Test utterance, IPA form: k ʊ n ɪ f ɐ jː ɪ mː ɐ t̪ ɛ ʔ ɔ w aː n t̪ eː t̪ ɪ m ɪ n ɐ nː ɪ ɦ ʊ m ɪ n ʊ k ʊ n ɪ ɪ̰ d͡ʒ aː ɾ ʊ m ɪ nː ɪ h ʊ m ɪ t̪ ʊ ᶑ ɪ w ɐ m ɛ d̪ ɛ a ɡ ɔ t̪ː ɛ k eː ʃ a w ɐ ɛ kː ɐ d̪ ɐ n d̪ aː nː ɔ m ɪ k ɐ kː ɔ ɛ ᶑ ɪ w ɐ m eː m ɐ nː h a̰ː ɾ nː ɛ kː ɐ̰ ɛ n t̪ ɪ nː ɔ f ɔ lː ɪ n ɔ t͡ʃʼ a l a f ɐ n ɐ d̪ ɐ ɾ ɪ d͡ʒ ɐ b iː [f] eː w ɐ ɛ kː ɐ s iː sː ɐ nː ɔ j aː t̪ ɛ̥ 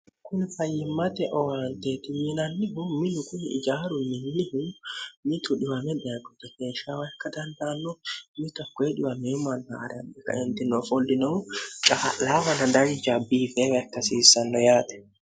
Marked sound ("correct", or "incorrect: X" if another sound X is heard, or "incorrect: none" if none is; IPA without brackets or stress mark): correct